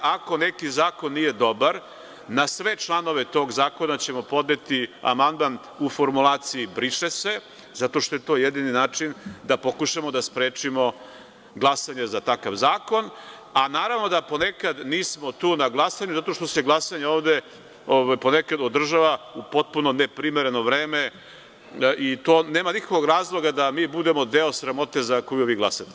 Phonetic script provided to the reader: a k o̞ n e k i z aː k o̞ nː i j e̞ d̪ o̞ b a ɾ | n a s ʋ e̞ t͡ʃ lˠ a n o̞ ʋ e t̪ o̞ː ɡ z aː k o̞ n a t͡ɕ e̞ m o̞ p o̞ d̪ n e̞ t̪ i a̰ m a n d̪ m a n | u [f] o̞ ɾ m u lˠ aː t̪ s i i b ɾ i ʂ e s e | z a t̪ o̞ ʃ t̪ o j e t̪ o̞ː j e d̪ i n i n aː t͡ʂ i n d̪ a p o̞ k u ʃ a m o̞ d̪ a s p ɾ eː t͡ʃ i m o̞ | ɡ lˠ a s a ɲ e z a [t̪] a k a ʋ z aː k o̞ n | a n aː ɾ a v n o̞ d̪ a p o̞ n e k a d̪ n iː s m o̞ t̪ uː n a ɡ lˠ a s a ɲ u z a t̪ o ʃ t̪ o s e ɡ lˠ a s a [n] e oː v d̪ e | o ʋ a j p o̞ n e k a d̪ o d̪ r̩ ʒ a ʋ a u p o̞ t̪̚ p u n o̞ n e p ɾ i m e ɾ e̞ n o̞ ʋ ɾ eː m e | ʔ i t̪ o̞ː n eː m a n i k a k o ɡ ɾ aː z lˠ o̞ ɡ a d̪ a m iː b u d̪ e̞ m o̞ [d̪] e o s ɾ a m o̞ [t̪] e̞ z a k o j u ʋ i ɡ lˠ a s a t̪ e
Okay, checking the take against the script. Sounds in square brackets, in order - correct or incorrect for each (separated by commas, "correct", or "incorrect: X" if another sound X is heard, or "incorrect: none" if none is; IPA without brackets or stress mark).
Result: correct, correct, incorrect: ɲ, correct, correct